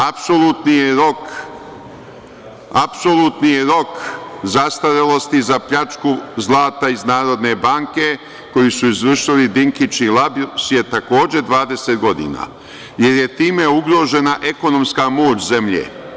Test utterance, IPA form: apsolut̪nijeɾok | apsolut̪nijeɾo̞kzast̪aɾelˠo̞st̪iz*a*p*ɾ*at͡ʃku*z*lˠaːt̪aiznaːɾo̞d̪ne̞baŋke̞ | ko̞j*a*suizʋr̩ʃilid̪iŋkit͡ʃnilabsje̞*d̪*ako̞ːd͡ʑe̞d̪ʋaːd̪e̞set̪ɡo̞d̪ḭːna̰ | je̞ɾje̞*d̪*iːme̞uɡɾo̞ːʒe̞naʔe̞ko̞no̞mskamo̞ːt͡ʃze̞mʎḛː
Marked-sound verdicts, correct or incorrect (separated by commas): correct, incorrect, correct, incorrect, incorrect, incorrect